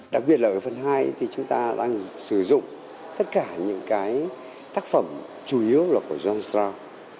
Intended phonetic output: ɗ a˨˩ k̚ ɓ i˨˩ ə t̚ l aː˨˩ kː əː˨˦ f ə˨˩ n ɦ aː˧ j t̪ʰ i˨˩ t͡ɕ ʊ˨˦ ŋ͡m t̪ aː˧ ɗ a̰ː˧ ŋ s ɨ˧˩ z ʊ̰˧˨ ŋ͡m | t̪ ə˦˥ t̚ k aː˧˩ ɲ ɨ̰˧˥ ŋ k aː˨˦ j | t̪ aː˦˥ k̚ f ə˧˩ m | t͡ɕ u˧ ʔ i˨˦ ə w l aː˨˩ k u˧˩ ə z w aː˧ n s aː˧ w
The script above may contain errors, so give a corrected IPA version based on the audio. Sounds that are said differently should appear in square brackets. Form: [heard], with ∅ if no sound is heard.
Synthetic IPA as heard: ɗ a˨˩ k̚ ɓ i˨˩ ə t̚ l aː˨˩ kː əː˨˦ f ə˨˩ n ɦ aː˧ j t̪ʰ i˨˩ t͡ɕ ʊ˨˦ ŋ͡m t̪ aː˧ ɗ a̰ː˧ ŋ s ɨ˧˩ z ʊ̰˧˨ ŋ͡m | t̪ ə˦˥ t̚ k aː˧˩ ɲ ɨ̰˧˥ ŋ k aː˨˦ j | t̪ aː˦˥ k̚ f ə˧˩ m | t͡ɕ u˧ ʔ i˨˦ ə w l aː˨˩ k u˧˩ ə z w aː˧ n s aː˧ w

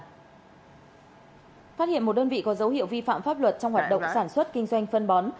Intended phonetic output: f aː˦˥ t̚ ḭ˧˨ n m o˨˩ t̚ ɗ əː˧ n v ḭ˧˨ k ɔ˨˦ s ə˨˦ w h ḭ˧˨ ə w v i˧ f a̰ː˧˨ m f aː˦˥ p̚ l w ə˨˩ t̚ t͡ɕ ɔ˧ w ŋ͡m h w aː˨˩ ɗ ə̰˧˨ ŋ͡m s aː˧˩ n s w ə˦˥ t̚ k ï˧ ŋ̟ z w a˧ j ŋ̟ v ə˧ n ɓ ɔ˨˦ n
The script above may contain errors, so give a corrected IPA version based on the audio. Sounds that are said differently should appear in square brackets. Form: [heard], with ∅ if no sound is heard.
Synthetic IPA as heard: f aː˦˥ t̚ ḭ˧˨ n m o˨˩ t̚ ɗ əː˧ n v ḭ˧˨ k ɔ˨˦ [z] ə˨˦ w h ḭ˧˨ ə w v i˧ f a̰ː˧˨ m f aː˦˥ p̚ l w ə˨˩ t̚ t͡ɕ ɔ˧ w ŋ͡m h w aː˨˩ ɗ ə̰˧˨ ŋ͡m s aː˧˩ n s w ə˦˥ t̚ k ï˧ ŋ̟ z w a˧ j ŋ̟ [f] ə˧ n ɓ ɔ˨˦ n

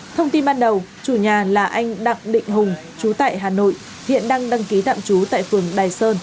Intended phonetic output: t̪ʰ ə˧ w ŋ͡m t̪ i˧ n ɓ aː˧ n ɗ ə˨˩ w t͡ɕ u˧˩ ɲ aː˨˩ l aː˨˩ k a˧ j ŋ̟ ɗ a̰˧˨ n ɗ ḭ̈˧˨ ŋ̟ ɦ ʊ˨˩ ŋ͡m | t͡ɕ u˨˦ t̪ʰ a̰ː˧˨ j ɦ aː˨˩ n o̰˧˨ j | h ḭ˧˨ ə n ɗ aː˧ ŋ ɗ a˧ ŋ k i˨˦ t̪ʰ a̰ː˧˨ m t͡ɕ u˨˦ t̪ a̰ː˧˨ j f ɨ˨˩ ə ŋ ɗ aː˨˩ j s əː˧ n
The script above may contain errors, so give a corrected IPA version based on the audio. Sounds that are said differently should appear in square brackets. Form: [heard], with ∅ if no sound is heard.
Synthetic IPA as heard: t̪ʰ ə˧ w ŋ͡m t̪ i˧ n ɓ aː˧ n ɗ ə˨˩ w t͡ɕ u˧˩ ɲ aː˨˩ l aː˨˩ [ʔ] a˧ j ŋ̟ ɗ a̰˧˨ [ŋ] ɗ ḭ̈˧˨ ŋ̟ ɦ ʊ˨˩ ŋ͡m | t͡ɕ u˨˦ [t̪] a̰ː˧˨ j ɦ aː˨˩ n o̰˧˨ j | h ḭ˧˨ ə n ɗ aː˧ ŋ ɗ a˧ ŋ k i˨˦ [t̪] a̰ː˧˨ m t͡ɕ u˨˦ t̪ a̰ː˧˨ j f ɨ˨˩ ə ŋ ɗ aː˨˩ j s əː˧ n

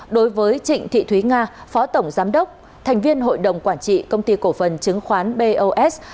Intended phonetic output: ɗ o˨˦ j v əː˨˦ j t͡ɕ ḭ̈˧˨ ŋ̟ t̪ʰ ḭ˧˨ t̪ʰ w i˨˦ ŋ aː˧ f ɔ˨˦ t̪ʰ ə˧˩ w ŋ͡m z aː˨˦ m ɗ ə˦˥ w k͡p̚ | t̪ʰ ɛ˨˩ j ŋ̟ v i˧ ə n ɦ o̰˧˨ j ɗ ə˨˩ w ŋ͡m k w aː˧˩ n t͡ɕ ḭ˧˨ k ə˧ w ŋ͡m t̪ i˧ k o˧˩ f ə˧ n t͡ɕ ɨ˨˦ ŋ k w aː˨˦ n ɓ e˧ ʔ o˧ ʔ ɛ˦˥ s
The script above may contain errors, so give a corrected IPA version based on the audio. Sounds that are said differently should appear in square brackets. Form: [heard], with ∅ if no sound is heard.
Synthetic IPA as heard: ɗ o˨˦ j v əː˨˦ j t͡ɕ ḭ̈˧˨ ŋ̟ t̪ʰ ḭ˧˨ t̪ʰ w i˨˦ ŋ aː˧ f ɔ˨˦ [t̪] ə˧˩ w ŋ͡m z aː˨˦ m ɗ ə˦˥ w k͡p̚ | t̪ʰ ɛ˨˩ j ŋ̟ v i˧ ə n ɦ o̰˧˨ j ɗ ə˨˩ w ŋ͡m k w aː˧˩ n t͡ɕ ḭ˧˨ k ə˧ w ŋ͡m t̪ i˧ k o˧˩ f [ə˨˩] n t͡ɕ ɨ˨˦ ŋ [x] w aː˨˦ n ɓ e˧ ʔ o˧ ʔ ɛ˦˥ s

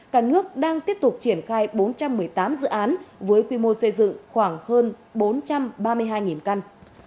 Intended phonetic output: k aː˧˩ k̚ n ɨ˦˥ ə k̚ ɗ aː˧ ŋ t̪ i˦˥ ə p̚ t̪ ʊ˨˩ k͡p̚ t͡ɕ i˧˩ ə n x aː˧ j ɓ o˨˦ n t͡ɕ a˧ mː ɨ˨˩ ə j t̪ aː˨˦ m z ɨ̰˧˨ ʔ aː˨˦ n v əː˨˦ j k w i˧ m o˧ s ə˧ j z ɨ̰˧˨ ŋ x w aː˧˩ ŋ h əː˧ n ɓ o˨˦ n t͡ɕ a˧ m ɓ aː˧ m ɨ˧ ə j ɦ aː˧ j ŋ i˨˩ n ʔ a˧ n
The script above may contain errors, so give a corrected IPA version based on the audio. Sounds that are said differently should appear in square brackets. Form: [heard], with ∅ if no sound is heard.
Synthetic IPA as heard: k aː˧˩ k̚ n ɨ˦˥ ə k̚ ɗ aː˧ ŋ t̪ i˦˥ ə p̚ t̪ ʊ˨˩ k͡p̚ t͡ɕ i˧˩ ə n x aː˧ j ɓ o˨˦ n t͡ɕ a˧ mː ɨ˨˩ ə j t̪ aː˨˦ m z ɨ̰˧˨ ʔ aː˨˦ n v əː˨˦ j k w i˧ m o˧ s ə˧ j z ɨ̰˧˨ ŋ x w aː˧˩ ŋ h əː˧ n ɓ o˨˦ n t͡ɕ a˧ m ɓ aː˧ m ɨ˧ ə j ɦ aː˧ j ŋ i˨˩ n [k] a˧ n

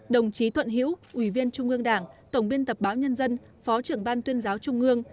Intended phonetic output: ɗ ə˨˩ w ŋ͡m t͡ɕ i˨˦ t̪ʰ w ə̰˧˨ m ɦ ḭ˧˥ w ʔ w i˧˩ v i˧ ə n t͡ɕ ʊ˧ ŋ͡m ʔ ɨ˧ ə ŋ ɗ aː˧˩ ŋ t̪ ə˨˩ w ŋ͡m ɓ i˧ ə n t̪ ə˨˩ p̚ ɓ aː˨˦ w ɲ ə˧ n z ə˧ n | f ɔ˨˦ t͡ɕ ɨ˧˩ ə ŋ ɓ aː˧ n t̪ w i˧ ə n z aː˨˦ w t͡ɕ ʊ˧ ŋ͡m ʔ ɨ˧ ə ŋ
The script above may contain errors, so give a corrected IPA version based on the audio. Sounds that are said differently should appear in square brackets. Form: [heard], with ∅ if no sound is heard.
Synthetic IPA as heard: ɗ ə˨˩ w ŋ͡m t͡ɕ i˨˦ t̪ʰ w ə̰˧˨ [n] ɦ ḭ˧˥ w ʔ w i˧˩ v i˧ ə n t͡ɕ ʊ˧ ŋ͡m ʔ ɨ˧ ə ŋ ɗ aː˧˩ ŋ t̪ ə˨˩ w ŋ͡m ɓ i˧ ə n t̪ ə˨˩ p̚ ɓ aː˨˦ w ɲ ə˧ n z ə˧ n | f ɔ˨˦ t͡ɕ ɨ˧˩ ə ŋ ɓ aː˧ n t̪ w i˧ ə n z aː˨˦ w t͡ɕ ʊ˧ ŋ͡m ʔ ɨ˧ ə ŋ

